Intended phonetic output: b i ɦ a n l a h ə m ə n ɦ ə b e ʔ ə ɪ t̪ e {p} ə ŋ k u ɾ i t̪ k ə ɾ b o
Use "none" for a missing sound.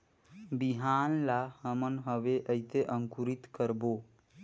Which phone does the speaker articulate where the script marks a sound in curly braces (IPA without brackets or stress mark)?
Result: ʔ